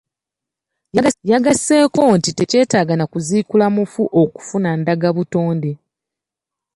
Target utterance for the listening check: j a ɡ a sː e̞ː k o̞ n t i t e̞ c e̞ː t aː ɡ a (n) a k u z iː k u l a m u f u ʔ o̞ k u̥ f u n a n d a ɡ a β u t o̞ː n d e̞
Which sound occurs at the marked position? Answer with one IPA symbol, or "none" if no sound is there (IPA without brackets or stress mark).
n